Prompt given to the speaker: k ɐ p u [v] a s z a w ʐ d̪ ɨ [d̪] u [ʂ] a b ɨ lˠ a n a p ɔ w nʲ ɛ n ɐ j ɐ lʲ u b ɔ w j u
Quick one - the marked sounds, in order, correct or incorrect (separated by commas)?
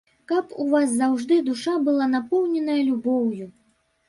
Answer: correct, correct, correct